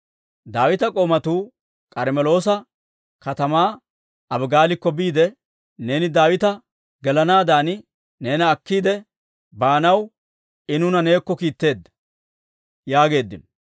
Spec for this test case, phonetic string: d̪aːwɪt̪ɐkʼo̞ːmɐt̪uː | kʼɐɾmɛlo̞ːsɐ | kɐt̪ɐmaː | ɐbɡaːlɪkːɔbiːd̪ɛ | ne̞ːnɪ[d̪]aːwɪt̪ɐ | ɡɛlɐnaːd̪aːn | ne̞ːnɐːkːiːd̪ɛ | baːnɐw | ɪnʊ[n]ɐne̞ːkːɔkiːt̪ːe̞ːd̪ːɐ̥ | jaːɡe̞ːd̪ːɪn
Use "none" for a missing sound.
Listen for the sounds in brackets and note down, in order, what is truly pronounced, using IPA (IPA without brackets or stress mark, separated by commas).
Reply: d̪, n